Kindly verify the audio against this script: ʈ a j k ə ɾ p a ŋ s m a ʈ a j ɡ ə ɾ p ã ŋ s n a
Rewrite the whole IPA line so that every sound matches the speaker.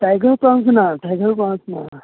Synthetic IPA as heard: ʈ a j ɡ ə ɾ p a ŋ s n a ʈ a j ɡ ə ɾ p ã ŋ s n a